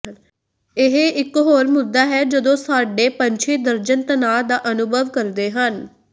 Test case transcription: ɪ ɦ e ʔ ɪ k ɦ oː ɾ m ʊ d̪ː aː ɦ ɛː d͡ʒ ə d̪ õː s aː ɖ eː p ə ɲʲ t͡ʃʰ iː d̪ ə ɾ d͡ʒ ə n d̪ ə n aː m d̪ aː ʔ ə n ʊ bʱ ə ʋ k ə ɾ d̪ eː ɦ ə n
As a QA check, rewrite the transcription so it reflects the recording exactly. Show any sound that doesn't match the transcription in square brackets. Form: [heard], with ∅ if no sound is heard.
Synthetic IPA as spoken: ɪ ɦ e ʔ ɪ k ɦ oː ɾ m ʊ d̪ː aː ɦ ɛː d͡ʒ ə d̪ õː s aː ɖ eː p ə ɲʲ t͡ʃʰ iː d̪ ə ɾ d͡ʒ ə n [t̪] ə n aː [∅] d̪ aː ʔ ə n ʊ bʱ ə ʋ k ə ɾ d̪ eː ɦ ə n